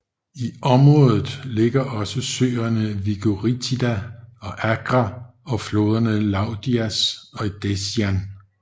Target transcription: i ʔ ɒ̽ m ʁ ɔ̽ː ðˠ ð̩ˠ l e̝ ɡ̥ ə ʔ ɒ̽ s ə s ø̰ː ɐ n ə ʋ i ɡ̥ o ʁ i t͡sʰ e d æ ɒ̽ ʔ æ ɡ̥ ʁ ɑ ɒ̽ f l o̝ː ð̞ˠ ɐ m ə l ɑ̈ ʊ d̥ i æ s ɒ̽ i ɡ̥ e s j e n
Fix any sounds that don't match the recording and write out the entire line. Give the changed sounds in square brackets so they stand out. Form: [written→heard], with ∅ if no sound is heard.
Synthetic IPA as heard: i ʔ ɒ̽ m ʁ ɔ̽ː ðˠ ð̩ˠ l e̝ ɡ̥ [ə→ɐ] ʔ ɒ̽ s ə s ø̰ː ɐ n ə ʋ i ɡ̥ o ʁ i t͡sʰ [e→i] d æ ɒ̽ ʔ æ ɡ̥ ʁ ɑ ɒ̽ f l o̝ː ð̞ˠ ɐ [m→n] ə l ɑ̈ ʊ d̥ i æ s ɒ̽ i [ɡ̥→d̥] e s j [e→æ] n